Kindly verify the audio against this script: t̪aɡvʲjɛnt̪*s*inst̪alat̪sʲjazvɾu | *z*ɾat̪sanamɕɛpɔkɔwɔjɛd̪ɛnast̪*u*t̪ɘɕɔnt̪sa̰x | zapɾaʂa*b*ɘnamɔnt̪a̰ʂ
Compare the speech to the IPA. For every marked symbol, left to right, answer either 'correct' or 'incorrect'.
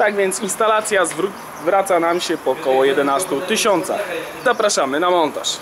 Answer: correct, incorrect: v, correct, incorrect: m

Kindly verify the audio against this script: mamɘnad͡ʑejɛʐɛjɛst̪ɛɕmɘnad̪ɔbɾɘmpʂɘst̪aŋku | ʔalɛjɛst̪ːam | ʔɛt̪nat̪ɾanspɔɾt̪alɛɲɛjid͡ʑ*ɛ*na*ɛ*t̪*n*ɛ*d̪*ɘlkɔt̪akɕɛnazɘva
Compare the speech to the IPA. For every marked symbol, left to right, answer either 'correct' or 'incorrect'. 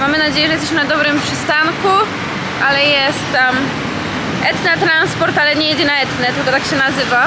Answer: correct, correct, correct, incorrect: t̪

